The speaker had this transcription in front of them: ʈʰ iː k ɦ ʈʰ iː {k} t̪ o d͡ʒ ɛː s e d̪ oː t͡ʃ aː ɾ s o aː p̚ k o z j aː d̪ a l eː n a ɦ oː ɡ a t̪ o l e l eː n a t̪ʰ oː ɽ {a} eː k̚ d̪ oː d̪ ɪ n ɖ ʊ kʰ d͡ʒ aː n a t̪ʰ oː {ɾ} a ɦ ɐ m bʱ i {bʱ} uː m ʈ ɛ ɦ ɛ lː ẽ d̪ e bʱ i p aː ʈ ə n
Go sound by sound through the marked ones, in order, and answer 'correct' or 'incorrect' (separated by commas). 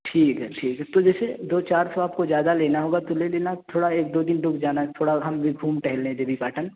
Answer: correct, correct, incorrect, incorrect